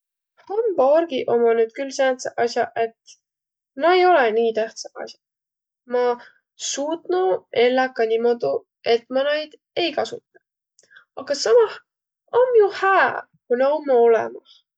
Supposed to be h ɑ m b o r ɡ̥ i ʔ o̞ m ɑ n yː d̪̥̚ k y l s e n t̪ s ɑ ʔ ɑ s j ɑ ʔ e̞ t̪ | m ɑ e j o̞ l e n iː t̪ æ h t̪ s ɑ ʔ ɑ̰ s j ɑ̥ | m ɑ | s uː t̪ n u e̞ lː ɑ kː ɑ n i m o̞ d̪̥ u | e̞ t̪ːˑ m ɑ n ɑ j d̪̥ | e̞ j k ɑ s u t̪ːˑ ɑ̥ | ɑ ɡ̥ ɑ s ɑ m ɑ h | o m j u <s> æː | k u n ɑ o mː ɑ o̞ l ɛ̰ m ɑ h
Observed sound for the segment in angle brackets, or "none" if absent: h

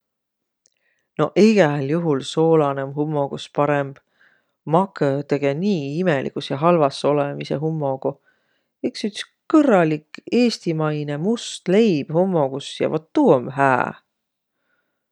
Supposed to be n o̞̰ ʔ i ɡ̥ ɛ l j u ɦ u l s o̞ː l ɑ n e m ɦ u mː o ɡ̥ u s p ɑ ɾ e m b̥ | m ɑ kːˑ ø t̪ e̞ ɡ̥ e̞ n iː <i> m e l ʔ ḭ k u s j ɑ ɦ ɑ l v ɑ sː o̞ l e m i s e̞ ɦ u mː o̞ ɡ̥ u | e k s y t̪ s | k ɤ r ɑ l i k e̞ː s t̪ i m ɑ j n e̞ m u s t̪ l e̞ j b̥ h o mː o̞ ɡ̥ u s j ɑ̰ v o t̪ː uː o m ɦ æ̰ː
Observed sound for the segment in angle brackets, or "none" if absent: i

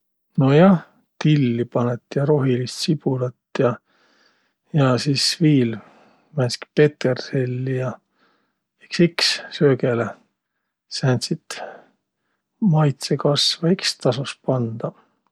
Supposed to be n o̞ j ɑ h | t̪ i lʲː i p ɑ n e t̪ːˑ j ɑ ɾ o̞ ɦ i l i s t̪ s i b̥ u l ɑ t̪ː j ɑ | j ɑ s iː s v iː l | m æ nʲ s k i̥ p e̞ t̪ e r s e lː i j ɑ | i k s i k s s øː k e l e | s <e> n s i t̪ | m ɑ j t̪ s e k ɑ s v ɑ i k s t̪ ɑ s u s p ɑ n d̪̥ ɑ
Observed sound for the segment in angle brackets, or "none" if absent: æ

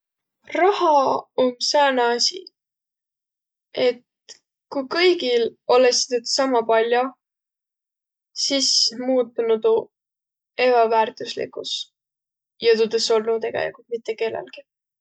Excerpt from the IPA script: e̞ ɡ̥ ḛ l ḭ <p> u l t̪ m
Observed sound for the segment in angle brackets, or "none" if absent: k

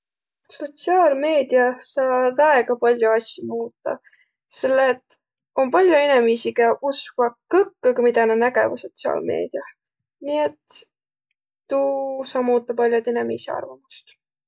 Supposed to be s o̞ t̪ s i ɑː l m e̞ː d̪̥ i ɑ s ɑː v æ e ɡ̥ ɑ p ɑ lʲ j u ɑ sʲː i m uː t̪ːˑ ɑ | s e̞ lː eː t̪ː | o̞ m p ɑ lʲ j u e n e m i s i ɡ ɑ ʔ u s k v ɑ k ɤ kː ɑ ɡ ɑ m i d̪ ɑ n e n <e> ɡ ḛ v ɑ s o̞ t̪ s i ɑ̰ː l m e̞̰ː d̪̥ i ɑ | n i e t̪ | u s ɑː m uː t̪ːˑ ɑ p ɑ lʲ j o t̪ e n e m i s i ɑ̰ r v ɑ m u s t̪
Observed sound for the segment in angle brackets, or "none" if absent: æ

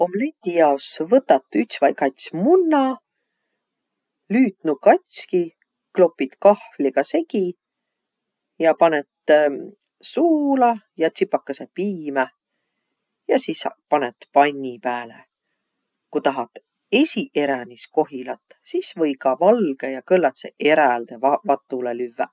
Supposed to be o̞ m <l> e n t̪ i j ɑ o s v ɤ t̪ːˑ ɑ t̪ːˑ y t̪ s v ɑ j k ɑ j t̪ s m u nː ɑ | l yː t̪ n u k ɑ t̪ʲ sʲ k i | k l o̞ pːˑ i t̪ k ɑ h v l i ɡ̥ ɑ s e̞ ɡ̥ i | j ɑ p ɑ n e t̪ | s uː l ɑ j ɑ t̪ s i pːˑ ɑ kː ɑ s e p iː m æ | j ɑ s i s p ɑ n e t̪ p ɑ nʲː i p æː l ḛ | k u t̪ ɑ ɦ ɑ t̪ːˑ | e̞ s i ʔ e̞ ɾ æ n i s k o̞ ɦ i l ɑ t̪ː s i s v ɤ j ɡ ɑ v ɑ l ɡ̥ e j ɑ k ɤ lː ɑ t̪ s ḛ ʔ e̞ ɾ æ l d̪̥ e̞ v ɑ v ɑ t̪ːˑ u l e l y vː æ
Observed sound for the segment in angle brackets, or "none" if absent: l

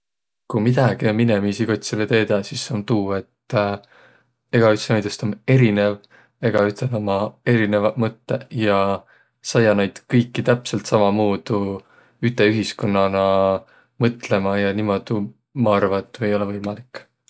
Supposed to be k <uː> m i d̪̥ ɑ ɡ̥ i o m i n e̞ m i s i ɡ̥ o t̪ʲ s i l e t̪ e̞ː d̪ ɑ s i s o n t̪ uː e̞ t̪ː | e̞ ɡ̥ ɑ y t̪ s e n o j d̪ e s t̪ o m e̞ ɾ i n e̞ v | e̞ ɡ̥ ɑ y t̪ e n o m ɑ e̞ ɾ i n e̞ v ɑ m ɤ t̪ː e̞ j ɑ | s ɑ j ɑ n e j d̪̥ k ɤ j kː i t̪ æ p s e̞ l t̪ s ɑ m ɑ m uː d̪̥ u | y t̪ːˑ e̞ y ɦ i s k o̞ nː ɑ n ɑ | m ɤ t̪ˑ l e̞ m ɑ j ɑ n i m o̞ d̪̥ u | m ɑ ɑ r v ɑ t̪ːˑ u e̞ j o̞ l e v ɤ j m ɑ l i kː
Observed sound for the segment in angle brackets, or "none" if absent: u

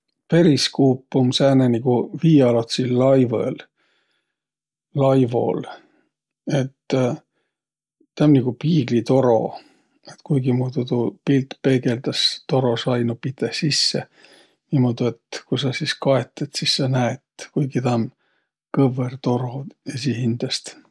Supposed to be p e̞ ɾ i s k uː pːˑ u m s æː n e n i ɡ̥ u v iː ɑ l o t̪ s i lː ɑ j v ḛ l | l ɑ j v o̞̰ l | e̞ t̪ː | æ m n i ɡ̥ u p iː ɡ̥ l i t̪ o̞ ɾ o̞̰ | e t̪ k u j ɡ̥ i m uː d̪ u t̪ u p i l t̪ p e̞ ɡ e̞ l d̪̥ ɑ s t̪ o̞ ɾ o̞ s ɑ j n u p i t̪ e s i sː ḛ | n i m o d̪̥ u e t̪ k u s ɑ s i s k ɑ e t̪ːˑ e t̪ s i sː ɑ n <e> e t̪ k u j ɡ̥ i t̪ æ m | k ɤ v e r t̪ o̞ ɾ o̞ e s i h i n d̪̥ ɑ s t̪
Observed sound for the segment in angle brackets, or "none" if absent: æ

